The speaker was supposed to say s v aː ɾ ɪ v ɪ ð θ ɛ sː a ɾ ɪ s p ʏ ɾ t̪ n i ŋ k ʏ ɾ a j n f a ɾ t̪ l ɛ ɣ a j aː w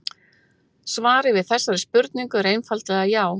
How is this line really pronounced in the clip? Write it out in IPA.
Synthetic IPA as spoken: s v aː ɾ ɪ v ɪ ð θ ɛ sː a ɾ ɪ s p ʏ ɾ t̪ n i ŋ k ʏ ɾ e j n f a l t̪ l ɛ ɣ a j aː w